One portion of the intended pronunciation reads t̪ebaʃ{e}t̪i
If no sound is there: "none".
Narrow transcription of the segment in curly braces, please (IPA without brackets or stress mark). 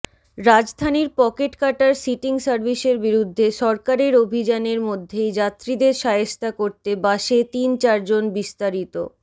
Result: e